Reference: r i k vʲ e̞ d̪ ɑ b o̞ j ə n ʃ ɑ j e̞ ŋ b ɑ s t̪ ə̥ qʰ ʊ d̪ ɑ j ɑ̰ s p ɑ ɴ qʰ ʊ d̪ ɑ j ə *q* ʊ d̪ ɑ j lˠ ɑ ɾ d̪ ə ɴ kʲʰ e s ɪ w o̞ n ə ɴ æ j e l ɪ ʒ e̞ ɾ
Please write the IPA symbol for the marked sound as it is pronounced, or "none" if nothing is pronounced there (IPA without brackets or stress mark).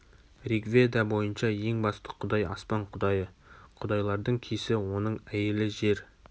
qʰ